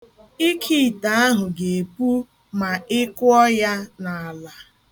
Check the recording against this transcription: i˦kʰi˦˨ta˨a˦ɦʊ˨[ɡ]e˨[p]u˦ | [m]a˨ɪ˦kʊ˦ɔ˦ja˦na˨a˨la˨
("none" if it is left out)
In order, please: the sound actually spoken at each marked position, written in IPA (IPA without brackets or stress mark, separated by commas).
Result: ɡ, p, m